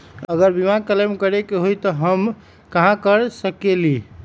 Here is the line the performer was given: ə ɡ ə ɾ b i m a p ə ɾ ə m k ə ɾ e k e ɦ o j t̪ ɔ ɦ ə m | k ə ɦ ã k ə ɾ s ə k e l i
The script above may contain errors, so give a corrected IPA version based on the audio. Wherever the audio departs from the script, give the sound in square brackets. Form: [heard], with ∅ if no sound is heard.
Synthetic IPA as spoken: ə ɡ ə ɾ b i m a [k] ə [l] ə m k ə ɾ e k e ɦ o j t̪ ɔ ɦ ə m | k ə ɦ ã k ə ɾ s ə k e l i